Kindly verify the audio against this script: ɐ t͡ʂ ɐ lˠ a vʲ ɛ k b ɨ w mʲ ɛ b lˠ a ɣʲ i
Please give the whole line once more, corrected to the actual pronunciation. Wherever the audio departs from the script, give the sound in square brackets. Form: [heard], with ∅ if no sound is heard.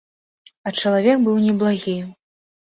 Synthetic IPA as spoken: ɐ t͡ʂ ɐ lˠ a vʲ ɛ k b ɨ w [nʲ] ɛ b lˠ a ɣʲ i